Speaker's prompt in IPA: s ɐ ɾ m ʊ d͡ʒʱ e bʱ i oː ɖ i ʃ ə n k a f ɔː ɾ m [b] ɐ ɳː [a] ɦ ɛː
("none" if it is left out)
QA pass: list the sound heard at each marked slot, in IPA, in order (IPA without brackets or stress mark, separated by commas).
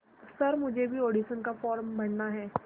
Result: b, a